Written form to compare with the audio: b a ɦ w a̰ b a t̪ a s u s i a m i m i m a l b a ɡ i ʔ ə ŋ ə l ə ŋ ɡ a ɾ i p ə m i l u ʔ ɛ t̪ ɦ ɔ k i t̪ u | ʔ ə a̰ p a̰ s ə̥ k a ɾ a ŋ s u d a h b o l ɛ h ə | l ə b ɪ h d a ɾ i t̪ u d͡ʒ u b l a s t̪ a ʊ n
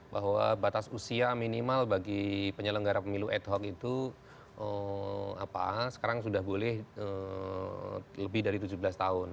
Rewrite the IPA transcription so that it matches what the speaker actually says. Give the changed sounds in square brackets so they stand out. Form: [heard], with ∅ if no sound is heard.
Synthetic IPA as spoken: b a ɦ w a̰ b a t̪ a s u s i a m i [n] i m a l b a ɡ i [p] ə [ɲ] ə l ə ŋ ɡ a ɾ [a] p ə m i l u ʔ ɛ t̪ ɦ ɔ k i t̪ u | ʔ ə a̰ p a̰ s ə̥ k a ɾ a ŋ s u d a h b o l ɛ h ə | l ə b ɪ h d a ɾ i t̪ u d͡ʒ u b l a s t̪ a ʊ n